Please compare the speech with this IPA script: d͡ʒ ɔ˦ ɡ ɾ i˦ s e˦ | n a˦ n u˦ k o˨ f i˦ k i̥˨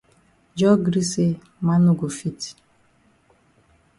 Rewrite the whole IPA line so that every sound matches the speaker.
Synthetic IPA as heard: d͡ʒ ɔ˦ ɡ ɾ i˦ s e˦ | m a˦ n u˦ ɡ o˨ f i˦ t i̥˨